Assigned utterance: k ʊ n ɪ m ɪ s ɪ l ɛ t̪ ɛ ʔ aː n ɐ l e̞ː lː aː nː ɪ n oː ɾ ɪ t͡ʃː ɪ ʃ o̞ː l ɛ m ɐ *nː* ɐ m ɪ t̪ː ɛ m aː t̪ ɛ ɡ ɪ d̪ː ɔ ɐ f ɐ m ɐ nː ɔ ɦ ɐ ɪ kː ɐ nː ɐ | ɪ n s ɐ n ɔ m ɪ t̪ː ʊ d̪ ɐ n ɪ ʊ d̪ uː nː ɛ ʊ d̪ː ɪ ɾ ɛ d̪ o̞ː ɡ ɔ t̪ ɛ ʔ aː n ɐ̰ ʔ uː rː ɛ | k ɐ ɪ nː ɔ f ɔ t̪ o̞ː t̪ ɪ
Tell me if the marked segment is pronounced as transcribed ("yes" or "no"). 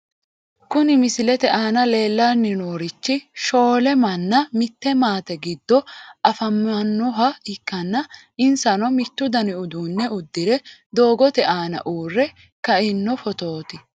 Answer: yes